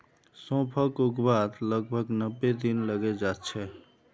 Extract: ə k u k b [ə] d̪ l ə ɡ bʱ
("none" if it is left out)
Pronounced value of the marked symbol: a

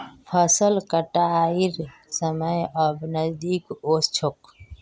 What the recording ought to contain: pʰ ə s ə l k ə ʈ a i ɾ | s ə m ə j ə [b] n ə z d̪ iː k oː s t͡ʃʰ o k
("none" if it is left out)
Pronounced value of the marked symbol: b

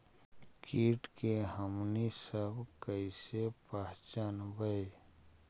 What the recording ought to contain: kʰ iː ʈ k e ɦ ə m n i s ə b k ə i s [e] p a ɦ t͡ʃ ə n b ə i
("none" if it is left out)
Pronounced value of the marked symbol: e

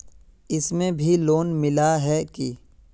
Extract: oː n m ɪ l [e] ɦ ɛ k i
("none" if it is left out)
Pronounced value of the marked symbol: a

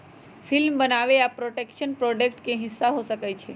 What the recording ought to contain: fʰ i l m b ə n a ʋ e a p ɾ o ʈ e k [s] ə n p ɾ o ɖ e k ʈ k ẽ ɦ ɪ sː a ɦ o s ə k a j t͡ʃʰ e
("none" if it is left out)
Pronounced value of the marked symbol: ʃ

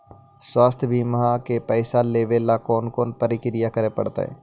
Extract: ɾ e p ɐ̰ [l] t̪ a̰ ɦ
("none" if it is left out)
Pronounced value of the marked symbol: ɽ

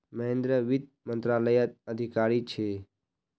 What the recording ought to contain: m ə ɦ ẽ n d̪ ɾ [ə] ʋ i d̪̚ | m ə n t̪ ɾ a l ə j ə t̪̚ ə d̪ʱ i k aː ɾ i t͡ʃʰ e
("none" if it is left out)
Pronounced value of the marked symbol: ə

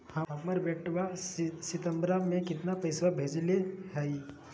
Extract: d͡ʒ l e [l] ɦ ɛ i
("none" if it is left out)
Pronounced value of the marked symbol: none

